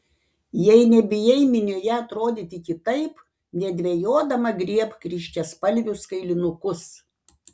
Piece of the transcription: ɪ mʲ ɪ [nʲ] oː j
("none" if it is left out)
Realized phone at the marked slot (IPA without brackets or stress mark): nʲ